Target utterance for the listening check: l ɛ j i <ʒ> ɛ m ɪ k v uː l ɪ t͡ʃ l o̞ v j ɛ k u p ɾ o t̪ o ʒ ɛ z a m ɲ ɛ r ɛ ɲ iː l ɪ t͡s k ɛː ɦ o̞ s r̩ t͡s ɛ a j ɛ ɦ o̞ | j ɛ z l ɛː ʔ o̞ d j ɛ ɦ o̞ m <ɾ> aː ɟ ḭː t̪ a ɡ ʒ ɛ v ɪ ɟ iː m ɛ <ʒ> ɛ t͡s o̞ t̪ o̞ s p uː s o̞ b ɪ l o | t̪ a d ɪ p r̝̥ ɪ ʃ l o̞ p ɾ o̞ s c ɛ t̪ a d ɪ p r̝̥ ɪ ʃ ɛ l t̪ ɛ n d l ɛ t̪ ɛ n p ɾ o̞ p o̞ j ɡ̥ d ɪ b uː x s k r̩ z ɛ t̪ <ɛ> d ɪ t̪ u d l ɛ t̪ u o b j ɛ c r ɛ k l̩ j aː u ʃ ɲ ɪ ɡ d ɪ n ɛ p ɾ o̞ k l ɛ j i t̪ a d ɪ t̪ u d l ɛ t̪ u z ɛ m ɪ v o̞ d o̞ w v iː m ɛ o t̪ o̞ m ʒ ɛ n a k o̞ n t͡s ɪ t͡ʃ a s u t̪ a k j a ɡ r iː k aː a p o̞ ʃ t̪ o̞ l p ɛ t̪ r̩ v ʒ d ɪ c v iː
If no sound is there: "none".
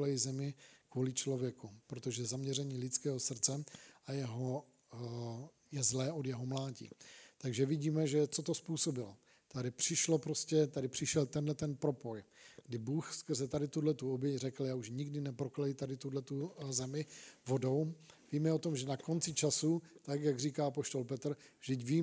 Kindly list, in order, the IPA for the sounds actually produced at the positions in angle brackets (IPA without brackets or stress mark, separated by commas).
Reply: z, l, ʒ, a